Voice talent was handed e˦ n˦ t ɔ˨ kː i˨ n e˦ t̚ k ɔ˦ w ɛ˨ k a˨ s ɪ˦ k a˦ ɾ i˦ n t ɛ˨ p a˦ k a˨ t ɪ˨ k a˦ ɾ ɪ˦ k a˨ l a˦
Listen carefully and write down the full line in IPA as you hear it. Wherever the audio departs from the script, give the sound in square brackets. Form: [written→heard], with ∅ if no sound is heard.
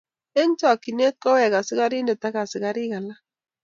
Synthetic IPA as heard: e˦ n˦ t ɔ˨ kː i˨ n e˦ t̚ k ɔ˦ w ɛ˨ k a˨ s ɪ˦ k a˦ ɾ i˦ n [t→d] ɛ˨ [p→t] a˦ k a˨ [t→s] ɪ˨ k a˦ ɾ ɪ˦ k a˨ l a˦